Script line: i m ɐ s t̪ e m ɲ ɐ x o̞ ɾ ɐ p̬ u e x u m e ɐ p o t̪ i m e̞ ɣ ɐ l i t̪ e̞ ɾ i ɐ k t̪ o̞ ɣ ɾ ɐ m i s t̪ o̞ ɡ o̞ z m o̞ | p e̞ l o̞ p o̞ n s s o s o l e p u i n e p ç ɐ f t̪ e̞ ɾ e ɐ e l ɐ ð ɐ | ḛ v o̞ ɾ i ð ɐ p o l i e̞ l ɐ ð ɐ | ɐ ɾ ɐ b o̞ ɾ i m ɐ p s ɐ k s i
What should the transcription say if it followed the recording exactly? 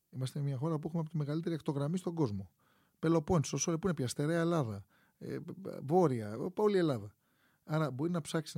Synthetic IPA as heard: i m ɐ s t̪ e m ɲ ɐ x o̞ ɾ ɐ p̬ u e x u m e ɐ p o t̪ i m e̞ ɣ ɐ l i t̪ e̞ ɾ i ɐ k t̪ o̞ ɣ ɾ ɐ m i s t̪ o̞ ɡ o̞ z m o̞ | p e̞ l o̞ p o̞ n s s o s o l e p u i n e p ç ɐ s t̪ e̞ ɾ e ɐ e l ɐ ð ɐ | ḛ v o̞ ɾ i ɐ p o l i e̞ l ɐ ð ɐ | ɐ ɾ ɐ b o̞ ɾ i n ɐ p s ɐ k s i